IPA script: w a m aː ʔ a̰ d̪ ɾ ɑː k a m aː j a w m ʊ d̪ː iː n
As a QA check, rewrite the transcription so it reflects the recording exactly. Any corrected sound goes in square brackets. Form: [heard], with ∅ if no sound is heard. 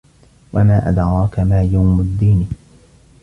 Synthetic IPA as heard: w a m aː ʔ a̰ d̪ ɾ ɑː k a m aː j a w m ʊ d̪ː iː n